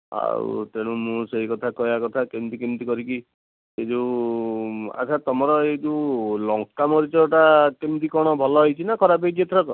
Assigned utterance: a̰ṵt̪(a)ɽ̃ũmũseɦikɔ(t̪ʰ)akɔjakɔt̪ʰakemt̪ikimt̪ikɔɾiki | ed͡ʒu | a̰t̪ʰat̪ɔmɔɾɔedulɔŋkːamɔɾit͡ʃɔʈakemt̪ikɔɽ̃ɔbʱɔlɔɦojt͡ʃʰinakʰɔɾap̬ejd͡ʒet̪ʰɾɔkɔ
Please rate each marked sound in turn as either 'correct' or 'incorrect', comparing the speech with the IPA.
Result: incorrect: e, correct

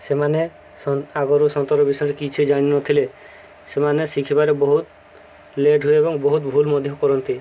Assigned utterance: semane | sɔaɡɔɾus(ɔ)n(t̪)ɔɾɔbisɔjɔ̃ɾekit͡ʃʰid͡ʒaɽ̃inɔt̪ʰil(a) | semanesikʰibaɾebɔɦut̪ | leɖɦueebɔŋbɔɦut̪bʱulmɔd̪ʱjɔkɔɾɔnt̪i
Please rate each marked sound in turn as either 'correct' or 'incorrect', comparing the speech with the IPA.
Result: correct, correct, incorrect: e

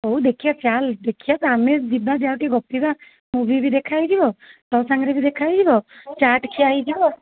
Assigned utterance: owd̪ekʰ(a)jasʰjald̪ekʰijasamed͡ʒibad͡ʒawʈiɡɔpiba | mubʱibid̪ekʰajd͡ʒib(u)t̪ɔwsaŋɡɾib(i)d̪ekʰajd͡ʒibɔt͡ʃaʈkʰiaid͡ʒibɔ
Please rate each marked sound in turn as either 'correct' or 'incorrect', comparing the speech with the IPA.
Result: incorrect: i, incorrect: ɔ, correct

